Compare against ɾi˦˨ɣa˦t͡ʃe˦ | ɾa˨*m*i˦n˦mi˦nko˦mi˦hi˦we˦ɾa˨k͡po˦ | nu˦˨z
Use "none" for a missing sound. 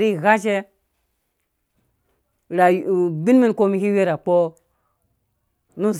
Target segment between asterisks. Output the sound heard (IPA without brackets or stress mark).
b